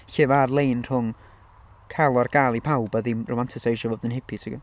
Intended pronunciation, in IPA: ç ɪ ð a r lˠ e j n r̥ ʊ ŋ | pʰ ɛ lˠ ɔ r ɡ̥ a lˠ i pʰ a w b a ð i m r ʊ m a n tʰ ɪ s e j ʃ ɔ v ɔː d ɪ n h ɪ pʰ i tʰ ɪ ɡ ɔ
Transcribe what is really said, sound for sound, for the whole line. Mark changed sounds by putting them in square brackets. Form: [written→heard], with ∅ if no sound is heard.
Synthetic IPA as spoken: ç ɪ [ð→v] a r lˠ e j n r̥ ʊ ŋ | [pʰ→kʰ] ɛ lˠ ɔ r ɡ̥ a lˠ i pʰ a w b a ð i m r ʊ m a n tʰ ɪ s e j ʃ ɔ v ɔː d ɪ n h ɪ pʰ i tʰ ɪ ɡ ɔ